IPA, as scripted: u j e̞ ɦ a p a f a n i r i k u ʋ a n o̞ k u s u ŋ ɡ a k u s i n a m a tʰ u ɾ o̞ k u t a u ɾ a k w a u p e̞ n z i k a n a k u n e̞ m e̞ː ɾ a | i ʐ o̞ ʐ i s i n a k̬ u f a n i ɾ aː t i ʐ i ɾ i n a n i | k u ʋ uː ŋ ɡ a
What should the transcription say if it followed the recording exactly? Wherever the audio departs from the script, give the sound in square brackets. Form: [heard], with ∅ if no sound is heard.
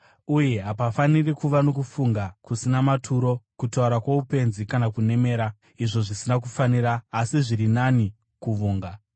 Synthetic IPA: u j e̞ ɦ a p a f a n i r i k u ʋ a n o̞ k u [f] u ŋ ɡ a k u s i n a m a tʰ u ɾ o̞ k u t a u ɾ a k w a u p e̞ n z i k a n a k u n e̞ m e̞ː ɾ a | i ʐ o̞ ʐ i s i n a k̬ u f a n i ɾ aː [s] i ʐ i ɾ i n a n i | k u ʋ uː ŋ ɡ a